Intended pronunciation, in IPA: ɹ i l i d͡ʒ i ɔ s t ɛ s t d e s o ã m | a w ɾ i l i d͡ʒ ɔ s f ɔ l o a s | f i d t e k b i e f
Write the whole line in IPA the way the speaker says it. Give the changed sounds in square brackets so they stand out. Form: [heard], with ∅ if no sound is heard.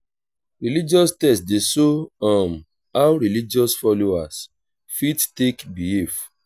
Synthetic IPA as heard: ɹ i l i d͡ʒ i ɔ s t ɛ s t d e s o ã m | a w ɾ i l i d͡ʒ ɔ s f ɔ l o a s | f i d t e k b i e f